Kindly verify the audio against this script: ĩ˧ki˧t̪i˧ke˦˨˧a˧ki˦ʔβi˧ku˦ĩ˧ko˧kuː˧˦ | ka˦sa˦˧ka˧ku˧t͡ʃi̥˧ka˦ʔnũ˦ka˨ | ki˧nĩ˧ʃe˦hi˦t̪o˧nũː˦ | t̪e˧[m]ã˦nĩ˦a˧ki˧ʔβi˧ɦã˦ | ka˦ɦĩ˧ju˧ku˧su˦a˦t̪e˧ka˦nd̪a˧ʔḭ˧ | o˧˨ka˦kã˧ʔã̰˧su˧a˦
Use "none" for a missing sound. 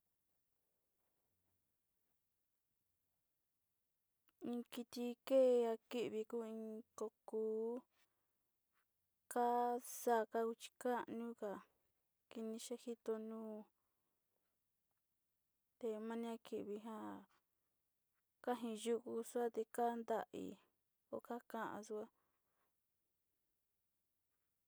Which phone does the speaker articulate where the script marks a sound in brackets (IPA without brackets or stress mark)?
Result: m